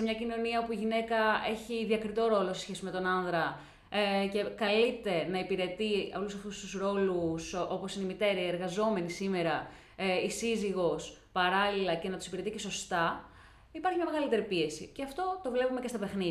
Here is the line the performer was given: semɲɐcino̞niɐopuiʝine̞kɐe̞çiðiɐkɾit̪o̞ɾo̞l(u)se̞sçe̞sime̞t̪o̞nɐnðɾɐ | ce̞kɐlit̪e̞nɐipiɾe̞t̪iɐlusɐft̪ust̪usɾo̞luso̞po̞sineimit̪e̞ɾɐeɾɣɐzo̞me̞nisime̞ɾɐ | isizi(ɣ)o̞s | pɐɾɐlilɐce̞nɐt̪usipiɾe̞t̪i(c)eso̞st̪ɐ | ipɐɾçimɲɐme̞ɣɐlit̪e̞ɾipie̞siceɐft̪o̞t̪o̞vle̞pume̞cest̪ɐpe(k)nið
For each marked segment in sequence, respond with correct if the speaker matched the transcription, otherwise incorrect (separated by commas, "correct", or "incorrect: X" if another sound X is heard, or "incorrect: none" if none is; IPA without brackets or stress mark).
incorrect: o, correct, correct, incorrect: x